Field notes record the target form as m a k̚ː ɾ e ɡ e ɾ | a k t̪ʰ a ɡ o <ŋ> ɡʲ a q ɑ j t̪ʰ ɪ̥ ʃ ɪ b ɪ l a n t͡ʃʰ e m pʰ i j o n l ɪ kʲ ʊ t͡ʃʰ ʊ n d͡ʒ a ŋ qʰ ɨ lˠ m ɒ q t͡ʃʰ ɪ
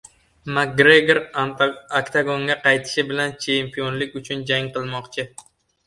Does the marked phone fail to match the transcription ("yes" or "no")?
no